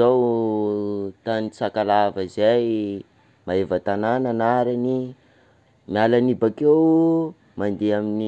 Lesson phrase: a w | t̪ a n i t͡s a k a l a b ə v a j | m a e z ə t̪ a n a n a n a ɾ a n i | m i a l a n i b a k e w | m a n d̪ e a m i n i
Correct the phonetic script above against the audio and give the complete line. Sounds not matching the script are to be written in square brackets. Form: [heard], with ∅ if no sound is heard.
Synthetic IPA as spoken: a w | t̪ a n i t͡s a k a l a [v] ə [z] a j | m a e [v] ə t̪ a n a n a n a ɾ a n i | m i a l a n i b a k e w | m a n d̪ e a m i n i